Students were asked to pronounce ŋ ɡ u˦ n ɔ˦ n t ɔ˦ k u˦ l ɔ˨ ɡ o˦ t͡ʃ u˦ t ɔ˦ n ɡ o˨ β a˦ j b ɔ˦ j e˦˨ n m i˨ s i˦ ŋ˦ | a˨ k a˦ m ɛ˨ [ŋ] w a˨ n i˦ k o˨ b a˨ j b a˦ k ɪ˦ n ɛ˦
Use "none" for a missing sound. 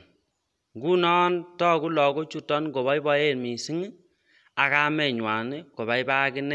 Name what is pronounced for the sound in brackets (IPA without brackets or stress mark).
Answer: ɲ